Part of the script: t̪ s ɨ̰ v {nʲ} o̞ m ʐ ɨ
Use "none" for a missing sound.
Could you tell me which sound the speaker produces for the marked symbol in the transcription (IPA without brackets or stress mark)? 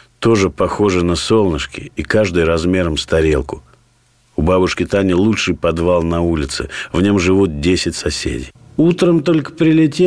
nʲ